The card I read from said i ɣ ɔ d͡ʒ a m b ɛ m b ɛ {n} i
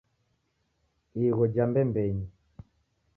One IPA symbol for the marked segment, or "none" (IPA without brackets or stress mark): ɲ